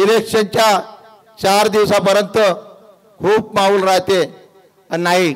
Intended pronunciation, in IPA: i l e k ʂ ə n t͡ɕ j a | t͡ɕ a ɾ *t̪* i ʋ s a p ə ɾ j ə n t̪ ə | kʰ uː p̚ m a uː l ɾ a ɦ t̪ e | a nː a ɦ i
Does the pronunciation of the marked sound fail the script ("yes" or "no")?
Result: yes